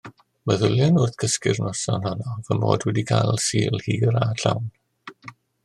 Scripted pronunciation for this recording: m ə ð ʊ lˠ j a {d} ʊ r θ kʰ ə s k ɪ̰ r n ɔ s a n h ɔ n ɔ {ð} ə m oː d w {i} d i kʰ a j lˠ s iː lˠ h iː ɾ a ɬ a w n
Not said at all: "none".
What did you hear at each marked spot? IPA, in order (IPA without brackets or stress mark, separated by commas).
n, v, ɛ